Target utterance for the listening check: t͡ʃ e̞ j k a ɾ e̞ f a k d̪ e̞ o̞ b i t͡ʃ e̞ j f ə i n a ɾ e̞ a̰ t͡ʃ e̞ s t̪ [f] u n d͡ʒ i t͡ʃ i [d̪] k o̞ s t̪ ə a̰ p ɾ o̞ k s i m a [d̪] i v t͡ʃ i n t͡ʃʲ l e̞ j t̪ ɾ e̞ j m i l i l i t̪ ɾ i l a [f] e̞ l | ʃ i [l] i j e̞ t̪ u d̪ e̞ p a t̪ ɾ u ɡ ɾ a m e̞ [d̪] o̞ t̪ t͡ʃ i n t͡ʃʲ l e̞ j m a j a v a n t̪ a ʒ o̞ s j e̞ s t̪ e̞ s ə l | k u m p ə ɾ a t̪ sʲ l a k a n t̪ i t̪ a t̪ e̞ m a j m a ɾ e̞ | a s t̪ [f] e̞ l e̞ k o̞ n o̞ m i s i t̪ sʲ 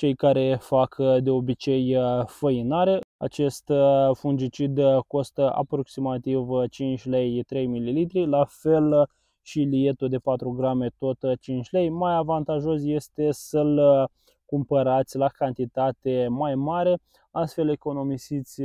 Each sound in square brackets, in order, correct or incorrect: correct, correct, incorrect, correct, correct, incorrect, correct

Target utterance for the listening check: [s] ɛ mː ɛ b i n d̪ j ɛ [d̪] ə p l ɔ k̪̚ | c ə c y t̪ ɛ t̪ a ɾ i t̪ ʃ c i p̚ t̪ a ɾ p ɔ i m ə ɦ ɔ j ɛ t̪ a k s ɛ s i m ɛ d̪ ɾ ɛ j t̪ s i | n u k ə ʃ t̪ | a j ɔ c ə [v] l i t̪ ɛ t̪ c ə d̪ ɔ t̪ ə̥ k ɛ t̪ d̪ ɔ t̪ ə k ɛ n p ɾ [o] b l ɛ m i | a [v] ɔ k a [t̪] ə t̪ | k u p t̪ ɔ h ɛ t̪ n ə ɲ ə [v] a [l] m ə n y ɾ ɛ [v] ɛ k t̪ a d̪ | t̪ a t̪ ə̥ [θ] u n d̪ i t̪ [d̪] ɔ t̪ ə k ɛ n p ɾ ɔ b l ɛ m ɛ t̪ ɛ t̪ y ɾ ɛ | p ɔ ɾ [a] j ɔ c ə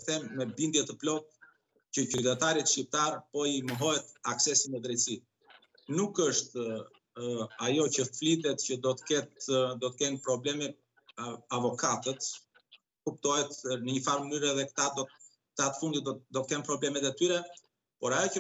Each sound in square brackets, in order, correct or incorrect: incorrect, incorrect, incorrect, incorrect, correct, correct, incorrect, incorrect, incorrect, incorrect, correct, correct

